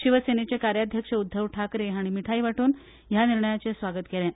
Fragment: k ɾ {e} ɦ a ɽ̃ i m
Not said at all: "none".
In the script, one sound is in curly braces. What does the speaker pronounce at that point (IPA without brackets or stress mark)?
e